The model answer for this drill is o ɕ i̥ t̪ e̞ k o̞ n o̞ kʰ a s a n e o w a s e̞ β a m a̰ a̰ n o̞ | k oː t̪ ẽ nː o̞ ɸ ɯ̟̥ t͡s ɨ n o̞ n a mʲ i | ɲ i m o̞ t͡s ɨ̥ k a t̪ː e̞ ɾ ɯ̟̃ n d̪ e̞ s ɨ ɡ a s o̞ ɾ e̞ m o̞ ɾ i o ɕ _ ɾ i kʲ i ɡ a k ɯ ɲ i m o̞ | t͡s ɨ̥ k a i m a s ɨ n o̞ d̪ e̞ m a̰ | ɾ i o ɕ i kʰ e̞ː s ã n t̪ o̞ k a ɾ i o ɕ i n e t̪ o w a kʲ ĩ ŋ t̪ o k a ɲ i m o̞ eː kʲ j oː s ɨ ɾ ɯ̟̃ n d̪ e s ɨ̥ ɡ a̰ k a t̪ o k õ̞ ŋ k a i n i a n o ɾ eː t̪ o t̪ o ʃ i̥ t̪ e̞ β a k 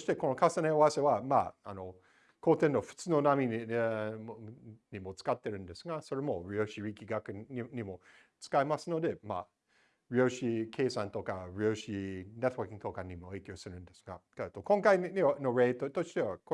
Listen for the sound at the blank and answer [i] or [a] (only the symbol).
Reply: i